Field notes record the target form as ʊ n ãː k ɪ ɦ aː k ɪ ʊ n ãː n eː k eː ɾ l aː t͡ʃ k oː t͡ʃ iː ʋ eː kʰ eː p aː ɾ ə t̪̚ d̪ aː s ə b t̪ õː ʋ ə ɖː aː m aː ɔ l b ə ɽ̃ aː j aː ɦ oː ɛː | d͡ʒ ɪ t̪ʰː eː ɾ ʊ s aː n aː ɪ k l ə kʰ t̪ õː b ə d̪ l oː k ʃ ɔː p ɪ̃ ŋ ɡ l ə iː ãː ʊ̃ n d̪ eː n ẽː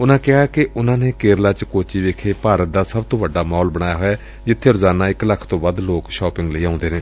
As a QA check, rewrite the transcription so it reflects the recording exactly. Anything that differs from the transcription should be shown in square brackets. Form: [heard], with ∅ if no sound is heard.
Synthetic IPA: ʊ n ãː k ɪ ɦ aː k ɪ ʊ n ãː n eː k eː ɾ l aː t͡ʃ k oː t͡ʃ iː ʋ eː kʰ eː p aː ɾ ə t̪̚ d̪ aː s ə b t̪ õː ʋ ə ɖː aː m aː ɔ l b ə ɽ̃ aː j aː ɦ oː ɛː | d͡ʒ ɪ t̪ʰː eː ɾ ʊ [z] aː n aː ɪ k l ə kʰ t̪ õː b ə d̪ l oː k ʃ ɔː p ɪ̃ ŋ ɡ l ə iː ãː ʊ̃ n d̪ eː n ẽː